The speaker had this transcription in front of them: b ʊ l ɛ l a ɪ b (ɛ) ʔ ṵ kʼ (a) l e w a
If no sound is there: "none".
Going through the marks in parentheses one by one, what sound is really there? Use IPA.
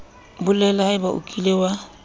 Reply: a, i

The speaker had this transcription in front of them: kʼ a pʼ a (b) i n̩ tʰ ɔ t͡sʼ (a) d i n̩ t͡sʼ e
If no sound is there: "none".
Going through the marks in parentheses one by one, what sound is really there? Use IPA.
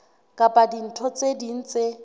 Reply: d, e

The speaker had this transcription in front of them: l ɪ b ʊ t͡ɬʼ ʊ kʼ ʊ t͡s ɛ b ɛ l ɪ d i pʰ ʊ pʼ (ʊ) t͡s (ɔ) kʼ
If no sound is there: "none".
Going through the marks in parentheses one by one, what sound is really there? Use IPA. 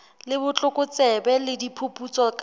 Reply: u, ɔ

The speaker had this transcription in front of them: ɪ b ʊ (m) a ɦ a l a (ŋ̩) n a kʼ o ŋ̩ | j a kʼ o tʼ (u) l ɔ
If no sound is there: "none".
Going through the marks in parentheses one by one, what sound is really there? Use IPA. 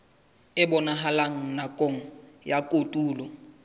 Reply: n, ŋ̩, uː

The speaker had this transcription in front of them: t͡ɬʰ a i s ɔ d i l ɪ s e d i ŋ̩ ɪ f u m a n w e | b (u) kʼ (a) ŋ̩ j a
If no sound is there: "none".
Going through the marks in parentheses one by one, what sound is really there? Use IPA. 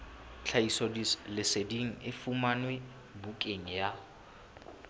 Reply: u, e

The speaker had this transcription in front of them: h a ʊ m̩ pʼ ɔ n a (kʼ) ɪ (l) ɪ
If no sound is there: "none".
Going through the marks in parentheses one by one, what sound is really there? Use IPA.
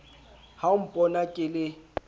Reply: kʼ, l

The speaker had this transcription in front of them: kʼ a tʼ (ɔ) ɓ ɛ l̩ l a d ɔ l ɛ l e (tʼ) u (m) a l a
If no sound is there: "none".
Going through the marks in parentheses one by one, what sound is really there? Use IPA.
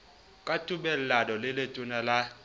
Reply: u, tʼ, n

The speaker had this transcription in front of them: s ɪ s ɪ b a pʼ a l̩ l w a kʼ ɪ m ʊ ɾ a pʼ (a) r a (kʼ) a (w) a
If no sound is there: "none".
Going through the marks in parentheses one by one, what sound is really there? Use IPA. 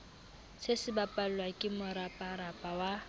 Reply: a, pʼ, w

